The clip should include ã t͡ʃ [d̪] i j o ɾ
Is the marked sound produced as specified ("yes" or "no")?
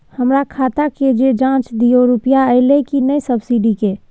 yes